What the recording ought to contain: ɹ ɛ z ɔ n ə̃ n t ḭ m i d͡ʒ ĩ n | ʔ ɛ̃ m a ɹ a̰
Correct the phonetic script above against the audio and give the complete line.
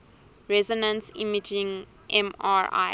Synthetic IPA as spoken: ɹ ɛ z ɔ n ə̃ n s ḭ m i d͡ʒ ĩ ŋ | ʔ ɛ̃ m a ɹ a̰